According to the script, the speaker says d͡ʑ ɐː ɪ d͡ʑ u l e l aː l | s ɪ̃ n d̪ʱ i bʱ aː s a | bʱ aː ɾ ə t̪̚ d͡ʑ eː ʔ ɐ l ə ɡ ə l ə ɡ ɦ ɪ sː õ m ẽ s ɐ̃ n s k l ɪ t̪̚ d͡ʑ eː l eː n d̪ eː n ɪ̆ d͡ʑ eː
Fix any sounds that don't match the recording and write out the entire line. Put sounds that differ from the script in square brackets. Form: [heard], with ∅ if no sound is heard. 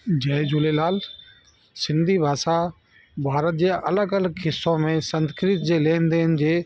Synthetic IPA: d͡ʑ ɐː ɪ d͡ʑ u l e l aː l | s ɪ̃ n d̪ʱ i bʱ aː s a | bʱ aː ɾ ə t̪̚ d͡ʑ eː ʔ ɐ l ə ɡ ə l ə ɡ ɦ ɪ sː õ m ẽ s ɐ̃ n s k [ɾ] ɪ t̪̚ d͡ʑ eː l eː n d̪ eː n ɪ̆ d͡ʑ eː

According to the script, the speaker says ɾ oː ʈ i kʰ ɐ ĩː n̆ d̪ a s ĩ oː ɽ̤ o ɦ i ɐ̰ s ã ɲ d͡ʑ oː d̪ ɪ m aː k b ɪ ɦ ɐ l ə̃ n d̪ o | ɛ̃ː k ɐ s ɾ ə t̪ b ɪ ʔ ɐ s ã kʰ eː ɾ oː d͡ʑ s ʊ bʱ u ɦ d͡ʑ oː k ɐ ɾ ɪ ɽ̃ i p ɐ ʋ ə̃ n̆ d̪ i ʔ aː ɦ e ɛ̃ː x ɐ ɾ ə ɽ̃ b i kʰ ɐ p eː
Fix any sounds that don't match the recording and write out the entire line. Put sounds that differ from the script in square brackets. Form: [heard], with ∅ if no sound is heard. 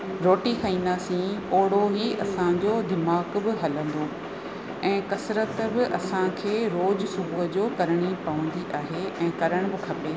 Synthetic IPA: ɾ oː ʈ i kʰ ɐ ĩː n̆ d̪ a s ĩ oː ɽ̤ o ɦ i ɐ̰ s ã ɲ d͡ʑ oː d̪ ɪ m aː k b ɪ ɦ ɐ l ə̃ n d̪ o | ɛ̃ː k ɐ s ɾ ə t̪ b ɪ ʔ ɐ s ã kʰ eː ɾ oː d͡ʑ s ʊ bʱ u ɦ d͡ʑ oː k ɐ ɾ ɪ ɽ̃ i p ɐ ʋ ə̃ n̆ d̪ i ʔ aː ɦ e ɛ̃ː [k] ɐ ɾ ə ɽ̃ b [ɪ] kʰ ɐ p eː

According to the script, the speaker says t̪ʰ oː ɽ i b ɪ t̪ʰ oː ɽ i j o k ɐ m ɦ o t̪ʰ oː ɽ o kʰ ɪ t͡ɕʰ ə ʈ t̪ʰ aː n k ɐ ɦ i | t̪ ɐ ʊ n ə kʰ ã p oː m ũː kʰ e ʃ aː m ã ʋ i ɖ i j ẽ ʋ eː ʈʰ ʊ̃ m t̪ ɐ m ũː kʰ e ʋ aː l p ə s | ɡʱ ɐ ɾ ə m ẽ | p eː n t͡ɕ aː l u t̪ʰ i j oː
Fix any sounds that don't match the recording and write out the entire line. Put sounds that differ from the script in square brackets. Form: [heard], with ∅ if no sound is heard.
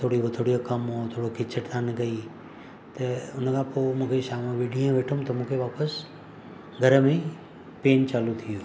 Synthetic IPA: t̪ʰ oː ɽ i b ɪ t̪ʰ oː ɽ i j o k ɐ m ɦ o t̪ʰ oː ɽ o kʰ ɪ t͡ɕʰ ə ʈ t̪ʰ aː n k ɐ [∅] i | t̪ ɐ ʊ n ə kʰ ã p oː m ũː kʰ e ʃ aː m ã ʋ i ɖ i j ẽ ʋ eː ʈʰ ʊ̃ m t̪ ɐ m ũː kʰ e ʋ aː [∅] p ə s | ɡʱ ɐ ɾ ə m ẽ | p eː n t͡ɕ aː l u t̪ʰ i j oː

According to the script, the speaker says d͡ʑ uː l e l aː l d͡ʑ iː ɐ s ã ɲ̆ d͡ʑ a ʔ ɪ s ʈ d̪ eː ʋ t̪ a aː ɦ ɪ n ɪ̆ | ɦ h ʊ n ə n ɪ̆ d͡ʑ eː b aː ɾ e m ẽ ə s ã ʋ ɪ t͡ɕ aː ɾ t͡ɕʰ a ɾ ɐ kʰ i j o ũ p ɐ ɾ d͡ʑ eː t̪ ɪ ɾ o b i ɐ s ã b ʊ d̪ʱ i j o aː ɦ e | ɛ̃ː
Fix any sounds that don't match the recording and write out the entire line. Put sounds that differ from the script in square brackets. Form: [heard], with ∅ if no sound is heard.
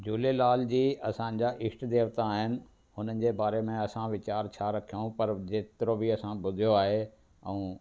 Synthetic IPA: d͡ʑ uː l e l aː l d͡ʑ iː ɐ s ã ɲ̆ d͡ʑ a ʔ ɪ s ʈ d̪ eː ʋ t̪ a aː ɦ ɪ n ɪ̆ | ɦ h ʊ n ə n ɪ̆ d͡ʑ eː b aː ɾ e m ẽ [ɐ] s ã ʋ ɪ t͡ɕ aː ɾ t͡ɕʰ a ɾ ɐ kʰ i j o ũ p ɐ ɾ d͡ʑ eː t̪ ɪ ɾ o b i ɐ s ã b ʊ d̪ʱ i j o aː ɦ e | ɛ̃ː

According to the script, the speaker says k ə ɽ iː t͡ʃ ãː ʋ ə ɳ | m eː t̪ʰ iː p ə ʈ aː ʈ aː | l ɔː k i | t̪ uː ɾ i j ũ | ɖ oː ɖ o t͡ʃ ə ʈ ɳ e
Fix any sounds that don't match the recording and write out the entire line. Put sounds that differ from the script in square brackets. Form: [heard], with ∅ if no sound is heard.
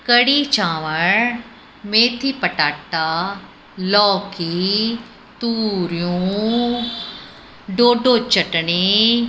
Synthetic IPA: k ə ɽ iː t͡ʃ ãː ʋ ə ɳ | m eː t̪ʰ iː p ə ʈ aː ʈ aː | l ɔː k i | t̪ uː ɾ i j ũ | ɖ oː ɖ o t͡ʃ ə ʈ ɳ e

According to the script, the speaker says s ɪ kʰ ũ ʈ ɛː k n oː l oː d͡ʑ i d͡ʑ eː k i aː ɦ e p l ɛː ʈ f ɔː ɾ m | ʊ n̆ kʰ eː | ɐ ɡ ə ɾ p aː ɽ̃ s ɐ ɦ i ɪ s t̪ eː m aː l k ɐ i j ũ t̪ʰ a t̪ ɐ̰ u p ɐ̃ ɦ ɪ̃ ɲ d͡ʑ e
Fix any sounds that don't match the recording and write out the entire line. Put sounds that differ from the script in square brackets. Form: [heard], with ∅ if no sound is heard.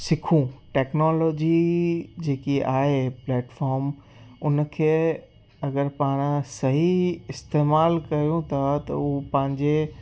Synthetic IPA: s ɪ kʰ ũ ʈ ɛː k n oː l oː d͡ʑ i d͡ʑ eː k i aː ɦ e p l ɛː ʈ f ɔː ɾ m | ʊ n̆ kʰ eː | ɐ ɡ ə ɾ p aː ɽ̃ s ɐ ɦ i ɪ s t̪ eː m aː l k ɐ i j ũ t̪ʰ a t̪ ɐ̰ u p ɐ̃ ɦ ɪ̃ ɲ d͡ʑ e

